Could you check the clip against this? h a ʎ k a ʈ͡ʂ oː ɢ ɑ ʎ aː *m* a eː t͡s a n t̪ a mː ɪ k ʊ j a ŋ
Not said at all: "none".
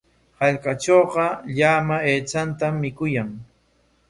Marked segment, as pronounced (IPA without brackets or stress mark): m